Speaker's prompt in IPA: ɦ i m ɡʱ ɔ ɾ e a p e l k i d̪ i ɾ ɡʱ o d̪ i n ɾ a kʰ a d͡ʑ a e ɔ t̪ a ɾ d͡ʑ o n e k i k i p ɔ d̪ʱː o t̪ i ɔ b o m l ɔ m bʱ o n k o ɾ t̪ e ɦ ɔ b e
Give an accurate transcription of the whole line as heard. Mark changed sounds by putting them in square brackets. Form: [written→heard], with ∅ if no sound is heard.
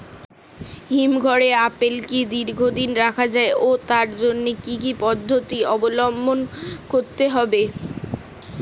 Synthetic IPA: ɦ i m ɡʱ ɔ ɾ e a p e l k i d̪ i ɾ ɡʱ o d̪ i n ɾ a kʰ a d͡ʑ a e [ɔ→o] t̪ a ɾ d͡ʑ o [n→nː] e k i k i p ɔ d̪ʱː o t̪ i ɔ b o [m→∅] l ɔ m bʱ o n k o ɾ t̪ e ɦ ɔ b e

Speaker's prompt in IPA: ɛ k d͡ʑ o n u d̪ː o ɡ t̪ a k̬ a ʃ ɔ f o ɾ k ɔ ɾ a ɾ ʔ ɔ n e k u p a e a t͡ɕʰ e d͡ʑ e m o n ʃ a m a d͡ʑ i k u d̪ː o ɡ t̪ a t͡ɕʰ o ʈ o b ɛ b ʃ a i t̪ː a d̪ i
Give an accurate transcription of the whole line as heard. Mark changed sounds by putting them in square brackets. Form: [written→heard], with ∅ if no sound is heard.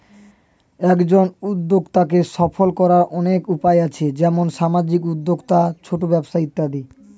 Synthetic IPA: ɛ k d͡ʑ o n u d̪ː o ɡ t̪ a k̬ [a→e] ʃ ɔ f o [ɾ→l] k ɔ ɾ a ɾ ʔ ɔ n e k u p a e a t͡ɕʰ e d͡ʑ [e→ɛ] m o n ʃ a m a d͡ʑ i k u d̪ː o ɡ t̪ a t͡ɕʰ o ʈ o b ɛ b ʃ a i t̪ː a d̪ i

